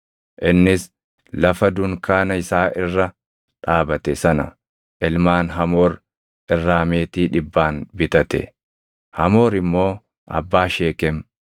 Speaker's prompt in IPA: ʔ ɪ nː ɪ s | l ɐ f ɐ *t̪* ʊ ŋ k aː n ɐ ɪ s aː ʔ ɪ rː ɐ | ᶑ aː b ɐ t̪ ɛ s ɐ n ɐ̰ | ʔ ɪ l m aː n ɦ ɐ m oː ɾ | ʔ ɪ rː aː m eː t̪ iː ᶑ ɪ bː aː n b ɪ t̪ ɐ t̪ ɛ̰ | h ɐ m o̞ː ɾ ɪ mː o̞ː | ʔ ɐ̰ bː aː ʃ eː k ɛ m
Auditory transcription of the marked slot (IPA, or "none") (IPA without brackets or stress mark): d̪